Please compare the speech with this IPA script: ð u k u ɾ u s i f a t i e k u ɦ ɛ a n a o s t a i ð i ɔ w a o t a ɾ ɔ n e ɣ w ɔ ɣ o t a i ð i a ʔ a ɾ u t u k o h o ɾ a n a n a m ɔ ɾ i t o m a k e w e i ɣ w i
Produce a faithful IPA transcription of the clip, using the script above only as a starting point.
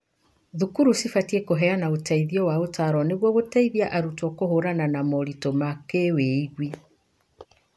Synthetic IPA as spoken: ð u k u ɾ u s i f a t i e k o ɦ ɛ a n a o t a i ð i ɔ w a o t a ɾ ɔ n e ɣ w ɔ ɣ o t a i ð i a ʔ a ɾ u t ɔ k o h o ɾ a n a n a m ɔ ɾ i t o m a k e w e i ɣ w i